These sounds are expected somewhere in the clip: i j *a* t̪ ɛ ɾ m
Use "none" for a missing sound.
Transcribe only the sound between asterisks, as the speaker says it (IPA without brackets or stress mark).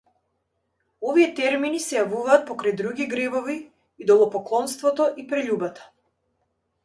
ɛ